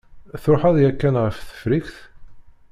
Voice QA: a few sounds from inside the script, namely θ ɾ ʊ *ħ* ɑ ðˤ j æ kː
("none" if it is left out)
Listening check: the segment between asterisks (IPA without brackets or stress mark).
ħ